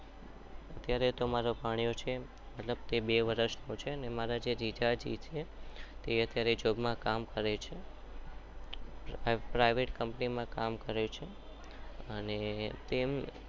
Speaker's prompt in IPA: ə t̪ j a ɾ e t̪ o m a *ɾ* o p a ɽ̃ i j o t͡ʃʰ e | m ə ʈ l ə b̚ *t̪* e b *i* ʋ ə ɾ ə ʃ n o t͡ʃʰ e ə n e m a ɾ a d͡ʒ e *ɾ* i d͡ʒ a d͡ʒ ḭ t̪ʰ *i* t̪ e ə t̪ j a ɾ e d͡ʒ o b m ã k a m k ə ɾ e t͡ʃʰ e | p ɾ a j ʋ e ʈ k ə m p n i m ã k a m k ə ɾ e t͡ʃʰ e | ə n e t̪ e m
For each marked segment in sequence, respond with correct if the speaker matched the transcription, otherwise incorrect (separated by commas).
correct, correct, incorrect, correct, incorrect